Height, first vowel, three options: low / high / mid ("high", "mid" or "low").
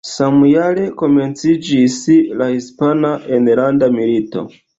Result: low